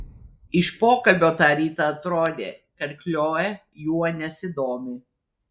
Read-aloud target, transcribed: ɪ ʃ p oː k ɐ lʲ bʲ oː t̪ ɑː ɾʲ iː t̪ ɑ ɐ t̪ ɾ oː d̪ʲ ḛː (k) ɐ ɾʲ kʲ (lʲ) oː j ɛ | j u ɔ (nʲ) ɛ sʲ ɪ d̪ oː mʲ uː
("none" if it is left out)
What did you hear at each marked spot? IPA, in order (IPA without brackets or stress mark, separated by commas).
k, lʲ, nʲ